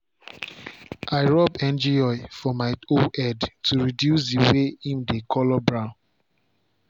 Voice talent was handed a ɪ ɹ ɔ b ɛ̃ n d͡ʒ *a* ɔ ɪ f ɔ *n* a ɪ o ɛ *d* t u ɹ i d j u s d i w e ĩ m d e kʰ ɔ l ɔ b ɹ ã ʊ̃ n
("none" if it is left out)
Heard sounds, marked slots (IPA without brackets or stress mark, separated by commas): i, m, d